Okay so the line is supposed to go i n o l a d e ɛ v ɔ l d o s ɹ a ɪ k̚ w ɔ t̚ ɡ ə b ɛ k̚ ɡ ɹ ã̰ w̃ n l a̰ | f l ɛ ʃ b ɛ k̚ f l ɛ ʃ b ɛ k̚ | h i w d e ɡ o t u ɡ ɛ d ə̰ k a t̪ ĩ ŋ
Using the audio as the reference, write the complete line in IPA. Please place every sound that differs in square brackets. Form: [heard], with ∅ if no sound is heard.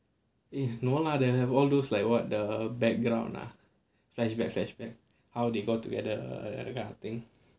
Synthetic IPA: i n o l a d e ɛ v ɔ l d o s [l] a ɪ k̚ w ɔ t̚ [d] ə b ɛ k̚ ɡ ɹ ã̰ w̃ n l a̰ | f l ɛ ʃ b ɛ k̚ f l ɛ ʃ b ɛ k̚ | h [a] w d e ɡ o t u ɡ ɛ d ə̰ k a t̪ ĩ ŋ